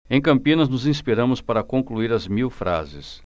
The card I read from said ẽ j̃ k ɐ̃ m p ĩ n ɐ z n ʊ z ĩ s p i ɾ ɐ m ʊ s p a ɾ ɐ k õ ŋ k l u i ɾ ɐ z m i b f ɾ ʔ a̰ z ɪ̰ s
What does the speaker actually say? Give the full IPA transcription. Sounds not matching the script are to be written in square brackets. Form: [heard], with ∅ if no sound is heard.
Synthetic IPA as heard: ẽ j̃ k ɐ̃ m p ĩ n ɐ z n ʊ z ĩ s p i ɾ [ɐ̃] m ʊ s p a ɾ ɐ k õ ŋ k l u i ɾ ɐ z m i [w] f ɾ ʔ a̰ z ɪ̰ s